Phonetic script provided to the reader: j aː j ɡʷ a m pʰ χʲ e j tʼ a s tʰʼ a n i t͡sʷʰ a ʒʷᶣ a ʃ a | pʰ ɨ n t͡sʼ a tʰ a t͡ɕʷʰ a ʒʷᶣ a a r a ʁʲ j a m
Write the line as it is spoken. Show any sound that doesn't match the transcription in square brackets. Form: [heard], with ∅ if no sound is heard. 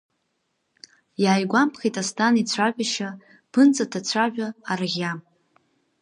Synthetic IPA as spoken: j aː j ɡʷ a m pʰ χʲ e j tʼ a s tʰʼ a n i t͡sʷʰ a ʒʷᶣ a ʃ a | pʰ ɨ n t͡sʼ a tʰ a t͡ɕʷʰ a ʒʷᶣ a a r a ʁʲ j a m